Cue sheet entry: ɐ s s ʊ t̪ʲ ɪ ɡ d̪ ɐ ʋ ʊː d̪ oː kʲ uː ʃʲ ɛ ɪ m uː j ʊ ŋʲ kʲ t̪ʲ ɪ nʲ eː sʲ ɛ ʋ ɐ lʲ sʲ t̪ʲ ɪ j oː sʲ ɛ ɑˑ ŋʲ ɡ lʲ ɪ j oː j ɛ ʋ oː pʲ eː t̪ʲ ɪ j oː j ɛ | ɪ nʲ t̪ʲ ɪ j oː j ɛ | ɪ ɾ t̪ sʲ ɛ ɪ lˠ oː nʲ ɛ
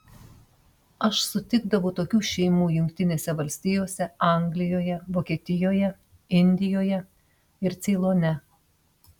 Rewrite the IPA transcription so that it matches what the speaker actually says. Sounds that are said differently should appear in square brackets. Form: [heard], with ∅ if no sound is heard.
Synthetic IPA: ɐ [ʃ] s ʊ t̪ʲ ɪ ɡ d̪ ɐ ʋ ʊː [t̪] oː kʲ uː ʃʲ ɛ ɪ m uː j ʊ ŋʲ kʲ t̪ʲ ɪ nʲ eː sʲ ɛ ʋ ɐ lʲ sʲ t̪ʲ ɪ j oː sʲ ɛ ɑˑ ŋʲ ɡ lʲ ɪ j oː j ɛ ʋ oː [kʲ] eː t̪ʲ ɪ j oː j ɛ | ɪ nʲ [d̪ʲ] ɪ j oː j ɛ | ɪ ɾ t̪ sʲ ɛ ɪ lˠ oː nʲ ɛ